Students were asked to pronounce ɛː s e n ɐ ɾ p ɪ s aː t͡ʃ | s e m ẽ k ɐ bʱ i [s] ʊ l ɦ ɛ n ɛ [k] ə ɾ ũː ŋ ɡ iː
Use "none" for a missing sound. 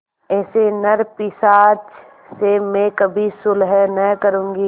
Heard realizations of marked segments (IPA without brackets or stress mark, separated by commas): s, k